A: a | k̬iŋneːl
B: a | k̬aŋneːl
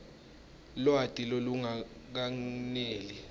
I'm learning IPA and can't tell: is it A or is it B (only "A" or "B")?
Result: B